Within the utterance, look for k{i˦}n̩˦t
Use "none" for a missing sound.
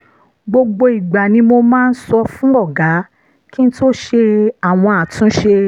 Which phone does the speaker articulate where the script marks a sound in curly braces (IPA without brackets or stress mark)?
i˦